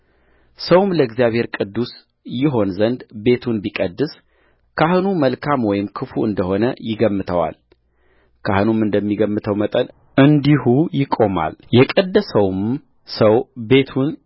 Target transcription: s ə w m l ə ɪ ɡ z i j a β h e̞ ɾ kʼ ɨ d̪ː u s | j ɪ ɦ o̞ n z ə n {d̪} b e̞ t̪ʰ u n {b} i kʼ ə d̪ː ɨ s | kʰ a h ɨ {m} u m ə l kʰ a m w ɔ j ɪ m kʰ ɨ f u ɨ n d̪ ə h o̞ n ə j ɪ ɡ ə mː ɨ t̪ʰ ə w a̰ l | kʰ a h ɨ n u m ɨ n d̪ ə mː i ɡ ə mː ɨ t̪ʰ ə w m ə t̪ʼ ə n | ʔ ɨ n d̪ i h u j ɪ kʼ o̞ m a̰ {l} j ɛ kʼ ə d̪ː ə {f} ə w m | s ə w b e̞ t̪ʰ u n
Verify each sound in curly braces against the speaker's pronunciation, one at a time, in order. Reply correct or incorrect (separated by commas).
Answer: correct, correct, incorrect, correct, incorrect